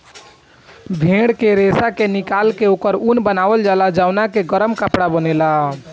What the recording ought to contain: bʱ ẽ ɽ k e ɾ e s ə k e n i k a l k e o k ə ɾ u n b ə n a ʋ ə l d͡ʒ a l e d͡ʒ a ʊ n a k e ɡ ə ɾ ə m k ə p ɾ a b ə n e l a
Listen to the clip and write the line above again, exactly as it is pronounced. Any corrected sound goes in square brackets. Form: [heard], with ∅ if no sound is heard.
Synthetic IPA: bʱ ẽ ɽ k e ɾ e s [a] k e n i k a l k e o k ə ɾ u n b ə n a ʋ ə l d͡ʒ a l [a] d͡ʒ a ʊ n a k e ɡ ə ɾ ə m k ə p [ɽ] a b ə n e l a